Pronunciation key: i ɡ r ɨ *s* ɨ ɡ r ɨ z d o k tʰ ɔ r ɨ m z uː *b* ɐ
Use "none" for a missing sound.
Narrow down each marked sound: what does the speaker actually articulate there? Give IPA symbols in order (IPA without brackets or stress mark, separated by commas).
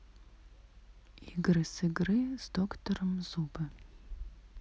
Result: s, b